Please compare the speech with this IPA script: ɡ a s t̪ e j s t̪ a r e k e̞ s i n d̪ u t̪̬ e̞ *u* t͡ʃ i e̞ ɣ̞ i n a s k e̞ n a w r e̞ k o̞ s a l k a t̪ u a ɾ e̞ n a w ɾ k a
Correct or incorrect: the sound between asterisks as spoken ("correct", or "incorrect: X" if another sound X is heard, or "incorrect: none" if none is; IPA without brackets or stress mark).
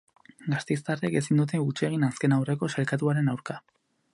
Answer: correct